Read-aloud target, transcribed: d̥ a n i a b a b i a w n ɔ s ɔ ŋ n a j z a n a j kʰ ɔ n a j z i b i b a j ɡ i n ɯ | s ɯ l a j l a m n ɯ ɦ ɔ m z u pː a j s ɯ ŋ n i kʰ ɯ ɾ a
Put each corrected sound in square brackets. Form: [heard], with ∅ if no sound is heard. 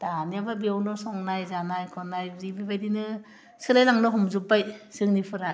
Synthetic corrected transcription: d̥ a n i a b a b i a w n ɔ s ɔ ŋ n a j z a n a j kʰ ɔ n a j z i b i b a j [d] i n ɯ | s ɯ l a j l a [ŋ] n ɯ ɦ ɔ m z u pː a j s ɯ ŋ n i [pʰ] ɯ ɾ a